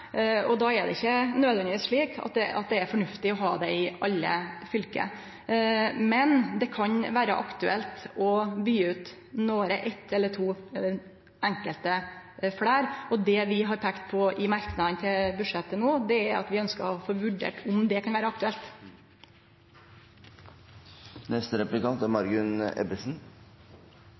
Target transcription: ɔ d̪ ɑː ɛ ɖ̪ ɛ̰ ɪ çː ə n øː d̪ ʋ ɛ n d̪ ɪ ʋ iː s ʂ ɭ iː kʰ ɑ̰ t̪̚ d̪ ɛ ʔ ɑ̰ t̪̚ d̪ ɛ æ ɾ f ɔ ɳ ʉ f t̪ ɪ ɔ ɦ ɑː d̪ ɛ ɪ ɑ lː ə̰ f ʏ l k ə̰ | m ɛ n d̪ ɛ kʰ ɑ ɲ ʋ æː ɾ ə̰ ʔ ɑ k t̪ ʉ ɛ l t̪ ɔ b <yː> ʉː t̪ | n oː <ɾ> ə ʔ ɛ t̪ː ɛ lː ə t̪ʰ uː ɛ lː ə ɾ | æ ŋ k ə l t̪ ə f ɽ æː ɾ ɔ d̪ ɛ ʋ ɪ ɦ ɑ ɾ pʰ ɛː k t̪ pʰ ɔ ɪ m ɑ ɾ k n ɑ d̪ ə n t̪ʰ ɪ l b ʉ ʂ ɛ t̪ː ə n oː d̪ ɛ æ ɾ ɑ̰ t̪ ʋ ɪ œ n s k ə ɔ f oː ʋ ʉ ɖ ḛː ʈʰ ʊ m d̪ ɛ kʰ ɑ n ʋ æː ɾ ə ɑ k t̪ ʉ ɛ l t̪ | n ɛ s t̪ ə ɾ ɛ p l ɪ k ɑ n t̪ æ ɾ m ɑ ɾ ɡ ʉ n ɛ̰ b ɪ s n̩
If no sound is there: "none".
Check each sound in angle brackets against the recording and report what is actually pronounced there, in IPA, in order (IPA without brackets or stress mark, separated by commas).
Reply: yː, ɾ